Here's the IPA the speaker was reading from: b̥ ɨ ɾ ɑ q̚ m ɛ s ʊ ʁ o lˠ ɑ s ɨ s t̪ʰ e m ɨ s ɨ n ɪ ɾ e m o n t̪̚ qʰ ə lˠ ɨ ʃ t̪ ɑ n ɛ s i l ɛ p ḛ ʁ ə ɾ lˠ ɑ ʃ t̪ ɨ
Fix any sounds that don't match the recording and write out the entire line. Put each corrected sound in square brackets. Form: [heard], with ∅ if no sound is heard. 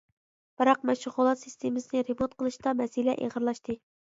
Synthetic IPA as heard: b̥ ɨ ɾ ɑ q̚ m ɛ [ʃ] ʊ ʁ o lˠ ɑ s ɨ s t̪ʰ e m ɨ s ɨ n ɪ ɾ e m o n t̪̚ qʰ ə lˠ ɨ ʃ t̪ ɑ [m] ɛ s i l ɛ [ʔ] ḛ ʁ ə ɾ lˠ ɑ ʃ t̪ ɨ